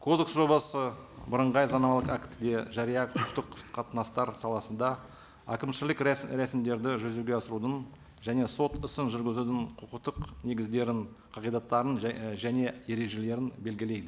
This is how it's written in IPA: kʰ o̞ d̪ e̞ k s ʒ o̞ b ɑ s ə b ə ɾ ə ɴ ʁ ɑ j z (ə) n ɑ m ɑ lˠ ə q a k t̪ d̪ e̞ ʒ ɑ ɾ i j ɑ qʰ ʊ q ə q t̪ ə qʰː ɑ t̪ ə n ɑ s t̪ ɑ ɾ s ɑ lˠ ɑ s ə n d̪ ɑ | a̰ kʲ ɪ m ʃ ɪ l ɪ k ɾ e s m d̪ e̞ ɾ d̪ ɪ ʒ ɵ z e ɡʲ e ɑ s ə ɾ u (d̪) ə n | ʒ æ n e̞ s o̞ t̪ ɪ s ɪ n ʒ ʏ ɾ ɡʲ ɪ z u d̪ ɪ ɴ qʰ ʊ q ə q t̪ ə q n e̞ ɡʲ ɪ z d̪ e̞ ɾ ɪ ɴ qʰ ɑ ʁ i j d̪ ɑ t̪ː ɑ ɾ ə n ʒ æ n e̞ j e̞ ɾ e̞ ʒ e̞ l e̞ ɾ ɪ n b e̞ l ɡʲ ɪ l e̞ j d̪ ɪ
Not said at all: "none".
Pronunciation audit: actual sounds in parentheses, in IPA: ɑ, d̪

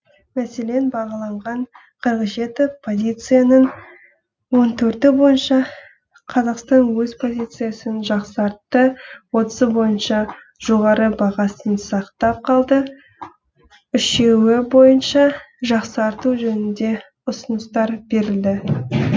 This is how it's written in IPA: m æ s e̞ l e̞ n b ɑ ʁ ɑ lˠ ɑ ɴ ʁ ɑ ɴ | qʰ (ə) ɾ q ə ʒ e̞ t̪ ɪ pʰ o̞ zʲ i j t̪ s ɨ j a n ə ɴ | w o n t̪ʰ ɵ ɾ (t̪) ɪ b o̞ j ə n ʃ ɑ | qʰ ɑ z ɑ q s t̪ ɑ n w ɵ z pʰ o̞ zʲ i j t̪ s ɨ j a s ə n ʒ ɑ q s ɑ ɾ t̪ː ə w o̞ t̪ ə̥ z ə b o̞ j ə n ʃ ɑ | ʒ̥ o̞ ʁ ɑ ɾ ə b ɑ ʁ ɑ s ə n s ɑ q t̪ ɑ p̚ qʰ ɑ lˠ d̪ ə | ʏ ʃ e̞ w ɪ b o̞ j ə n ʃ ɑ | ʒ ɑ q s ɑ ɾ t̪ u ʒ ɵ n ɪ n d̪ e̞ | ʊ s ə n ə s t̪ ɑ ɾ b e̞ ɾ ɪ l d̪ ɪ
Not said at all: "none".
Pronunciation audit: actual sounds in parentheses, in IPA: ə, t̪

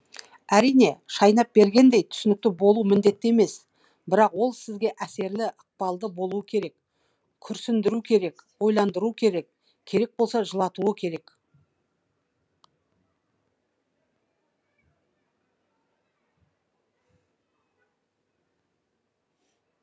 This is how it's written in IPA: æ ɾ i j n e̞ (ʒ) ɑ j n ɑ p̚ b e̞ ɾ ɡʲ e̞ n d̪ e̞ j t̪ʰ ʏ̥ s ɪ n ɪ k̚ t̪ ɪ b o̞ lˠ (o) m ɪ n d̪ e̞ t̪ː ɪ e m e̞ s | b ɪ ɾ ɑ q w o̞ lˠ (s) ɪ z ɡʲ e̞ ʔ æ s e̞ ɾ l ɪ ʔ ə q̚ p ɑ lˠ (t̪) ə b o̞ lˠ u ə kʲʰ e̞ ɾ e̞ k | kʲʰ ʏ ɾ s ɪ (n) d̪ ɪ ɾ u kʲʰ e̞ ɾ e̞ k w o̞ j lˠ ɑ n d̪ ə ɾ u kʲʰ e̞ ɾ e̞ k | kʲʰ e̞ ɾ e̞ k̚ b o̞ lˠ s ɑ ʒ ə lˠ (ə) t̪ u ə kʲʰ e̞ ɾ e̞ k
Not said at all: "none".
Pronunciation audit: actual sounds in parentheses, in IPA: ʃ, u, s, d̪, n, ɑ

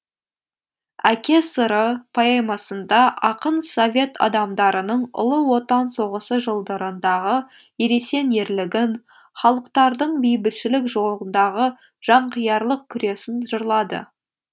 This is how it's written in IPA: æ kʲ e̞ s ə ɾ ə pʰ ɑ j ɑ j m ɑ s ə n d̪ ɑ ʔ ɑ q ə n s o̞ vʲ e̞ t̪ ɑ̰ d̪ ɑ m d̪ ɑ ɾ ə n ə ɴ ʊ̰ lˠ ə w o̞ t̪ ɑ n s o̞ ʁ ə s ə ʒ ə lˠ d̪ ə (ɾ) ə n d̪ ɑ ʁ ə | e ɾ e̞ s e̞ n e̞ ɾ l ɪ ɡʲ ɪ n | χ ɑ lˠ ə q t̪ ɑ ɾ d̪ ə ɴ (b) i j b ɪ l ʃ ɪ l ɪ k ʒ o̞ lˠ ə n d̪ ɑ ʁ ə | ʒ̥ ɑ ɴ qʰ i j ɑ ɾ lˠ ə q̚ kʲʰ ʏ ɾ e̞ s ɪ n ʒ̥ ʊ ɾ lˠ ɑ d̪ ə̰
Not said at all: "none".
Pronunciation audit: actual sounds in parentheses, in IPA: ɾ, b

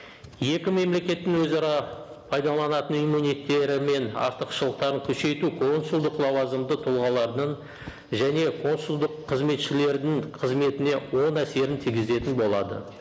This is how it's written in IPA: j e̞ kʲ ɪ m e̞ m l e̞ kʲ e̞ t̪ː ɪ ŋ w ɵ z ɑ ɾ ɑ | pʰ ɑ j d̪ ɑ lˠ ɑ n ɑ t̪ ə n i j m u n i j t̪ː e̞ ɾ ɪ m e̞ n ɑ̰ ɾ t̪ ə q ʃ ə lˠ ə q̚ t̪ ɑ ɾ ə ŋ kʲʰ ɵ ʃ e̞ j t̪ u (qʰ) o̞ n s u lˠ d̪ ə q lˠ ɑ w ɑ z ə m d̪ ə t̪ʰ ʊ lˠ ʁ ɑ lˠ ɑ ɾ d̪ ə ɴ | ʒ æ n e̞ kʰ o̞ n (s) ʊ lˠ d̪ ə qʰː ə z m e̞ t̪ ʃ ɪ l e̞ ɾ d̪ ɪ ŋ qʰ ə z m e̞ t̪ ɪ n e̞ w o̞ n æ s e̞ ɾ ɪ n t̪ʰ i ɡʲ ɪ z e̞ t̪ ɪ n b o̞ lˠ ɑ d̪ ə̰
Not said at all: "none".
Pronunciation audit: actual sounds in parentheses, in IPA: kʰ, s

